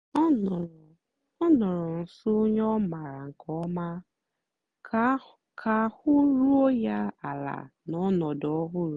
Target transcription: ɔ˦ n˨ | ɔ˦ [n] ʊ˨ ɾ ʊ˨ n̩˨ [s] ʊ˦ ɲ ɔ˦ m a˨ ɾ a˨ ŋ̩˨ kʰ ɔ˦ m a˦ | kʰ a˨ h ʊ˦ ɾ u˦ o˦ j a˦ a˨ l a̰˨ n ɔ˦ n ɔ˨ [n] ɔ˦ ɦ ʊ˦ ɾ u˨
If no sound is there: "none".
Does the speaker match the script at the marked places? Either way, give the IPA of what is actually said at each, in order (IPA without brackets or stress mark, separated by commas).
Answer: n, s, d